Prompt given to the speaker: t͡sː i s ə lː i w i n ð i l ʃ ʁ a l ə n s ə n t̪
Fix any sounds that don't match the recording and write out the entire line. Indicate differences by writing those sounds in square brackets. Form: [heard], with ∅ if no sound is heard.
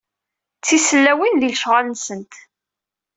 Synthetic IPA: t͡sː i s ə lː [æ] w i n ð i l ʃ ʁ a l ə n s ə n t̪

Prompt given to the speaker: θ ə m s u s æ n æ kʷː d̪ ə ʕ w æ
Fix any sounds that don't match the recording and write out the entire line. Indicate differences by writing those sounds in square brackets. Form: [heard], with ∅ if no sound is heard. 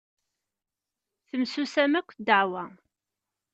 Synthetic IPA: θ ə m s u s æ [m] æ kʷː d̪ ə ʕ w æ

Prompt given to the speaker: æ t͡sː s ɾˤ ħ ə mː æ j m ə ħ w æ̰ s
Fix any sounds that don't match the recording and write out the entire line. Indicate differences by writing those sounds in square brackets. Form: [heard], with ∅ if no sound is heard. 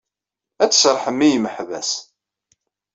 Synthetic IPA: æ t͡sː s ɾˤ ħ ə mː [i] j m ə ħ [v] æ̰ s

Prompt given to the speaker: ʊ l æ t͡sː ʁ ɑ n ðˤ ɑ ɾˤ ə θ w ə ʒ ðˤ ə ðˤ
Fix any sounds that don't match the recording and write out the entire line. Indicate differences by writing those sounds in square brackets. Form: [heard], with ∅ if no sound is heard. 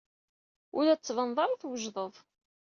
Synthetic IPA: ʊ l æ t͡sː [v] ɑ n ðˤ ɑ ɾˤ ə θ w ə ʒ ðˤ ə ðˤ

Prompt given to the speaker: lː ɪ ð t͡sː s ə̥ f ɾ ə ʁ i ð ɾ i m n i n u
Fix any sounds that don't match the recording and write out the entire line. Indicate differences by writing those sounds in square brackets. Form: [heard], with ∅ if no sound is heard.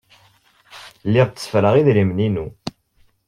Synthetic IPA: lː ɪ [ʁ] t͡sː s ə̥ f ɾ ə ʁ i ð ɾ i m n i n u

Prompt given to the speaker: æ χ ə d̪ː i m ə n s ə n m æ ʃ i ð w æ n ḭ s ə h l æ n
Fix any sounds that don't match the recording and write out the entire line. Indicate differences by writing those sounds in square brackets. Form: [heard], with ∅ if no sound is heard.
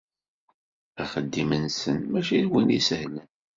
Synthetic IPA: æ χ ə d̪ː i m ə n s ə n m æ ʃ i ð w [i] n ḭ s ə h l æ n

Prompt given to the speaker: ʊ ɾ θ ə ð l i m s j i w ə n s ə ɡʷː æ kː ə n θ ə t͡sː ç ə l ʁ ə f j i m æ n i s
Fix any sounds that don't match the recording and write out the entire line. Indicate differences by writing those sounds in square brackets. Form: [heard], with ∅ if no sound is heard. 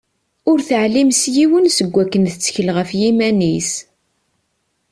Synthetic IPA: ʊ ɾ θ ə [ʕ] l i m s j i w ə n s ə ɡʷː æ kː ə n θ ə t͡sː ç ə l ʁ ə f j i m æ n i s

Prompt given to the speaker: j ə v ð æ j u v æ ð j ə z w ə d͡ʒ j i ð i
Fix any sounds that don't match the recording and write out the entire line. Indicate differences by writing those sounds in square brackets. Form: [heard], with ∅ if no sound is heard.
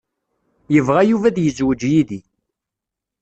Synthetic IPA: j ə v [ʁ] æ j u v æ ð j ə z w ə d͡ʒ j i ð i

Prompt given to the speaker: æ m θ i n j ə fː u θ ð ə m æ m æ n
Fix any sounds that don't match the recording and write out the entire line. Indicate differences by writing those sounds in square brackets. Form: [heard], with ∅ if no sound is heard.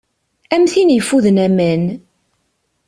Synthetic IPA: æ m θ i n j ə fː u [∅] ð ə [n] æ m æ n

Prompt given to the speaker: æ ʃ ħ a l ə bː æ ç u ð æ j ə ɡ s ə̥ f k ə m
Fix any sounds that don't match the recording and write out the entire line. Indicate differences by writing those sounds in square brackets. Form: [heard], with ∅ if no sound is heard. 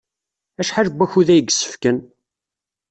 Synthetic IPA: æ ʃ ħ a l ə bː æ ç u ð æ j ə ɡ s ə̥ f k ə [n]

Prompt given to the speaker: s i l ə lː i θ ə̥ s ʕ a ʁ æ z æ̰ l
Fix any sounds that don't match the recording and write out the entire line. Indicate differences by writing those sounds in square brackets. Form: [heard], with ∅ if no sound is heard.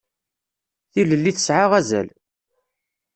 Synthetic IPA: [θ] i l ə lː i θ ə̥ s ʕ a ʁ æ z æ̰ l

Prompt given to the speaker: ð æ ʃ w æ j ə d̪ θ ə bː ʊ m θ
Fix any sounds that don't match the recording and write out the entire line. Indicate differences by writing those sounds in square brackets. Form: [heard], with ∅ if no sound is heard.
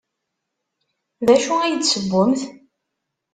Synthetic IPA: ð æ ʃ [u] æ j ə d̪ [s] ə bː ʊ m θ

